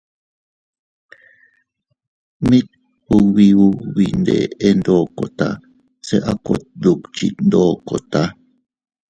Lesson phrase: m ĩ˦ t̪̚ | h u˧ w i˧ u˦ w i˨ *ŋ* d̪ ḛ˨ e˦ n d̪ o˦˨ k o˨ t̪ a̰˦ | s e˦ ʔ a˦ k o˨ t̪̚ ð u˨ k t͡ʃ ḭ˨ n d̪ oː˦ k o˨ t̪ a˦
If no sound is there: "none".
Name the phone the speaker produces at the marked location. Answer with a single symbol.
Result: n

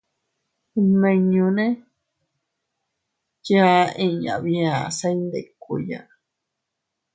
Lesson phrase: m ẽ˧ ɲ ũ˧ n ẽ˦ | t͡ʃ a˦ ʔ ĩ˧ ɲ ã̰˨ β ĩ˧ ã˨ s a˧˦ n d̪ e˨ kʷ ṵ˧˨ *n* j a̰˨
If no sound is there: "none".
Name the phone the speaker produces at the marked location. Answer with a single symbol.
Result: none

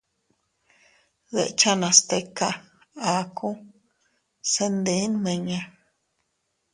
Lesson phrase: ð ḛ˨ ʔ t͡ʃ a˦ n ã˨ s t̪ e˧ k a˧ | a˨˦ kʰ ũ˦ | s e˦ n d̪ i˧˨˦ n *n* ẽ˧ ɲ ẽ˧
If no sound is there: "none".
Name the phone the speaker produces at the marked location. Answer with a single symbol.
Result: m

